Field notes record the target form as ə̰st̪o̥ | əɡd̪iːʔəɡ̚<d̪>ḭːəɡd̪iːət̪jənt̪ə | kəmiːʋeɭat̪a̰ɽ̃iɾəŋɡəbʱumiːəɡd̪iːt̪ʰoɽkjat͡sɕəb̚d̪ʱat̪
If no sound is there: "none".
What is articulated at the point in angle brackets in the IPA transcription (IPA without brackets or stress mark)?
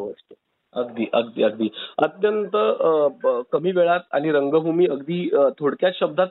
d̪